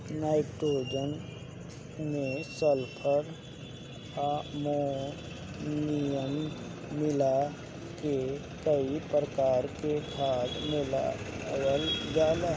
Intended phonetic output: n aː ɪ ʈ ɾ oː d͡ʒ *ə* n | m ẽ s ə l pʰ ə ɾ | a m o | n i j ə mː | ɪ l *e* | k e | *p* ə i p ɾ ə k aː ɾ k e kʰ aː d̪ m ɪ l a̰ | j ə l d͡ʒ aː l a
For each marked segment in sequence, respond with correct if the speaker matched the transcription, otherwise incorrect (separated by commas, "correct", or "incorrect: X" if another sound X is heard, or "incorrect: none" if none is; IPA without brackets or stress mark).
correct, incorrect: a, incorrect: k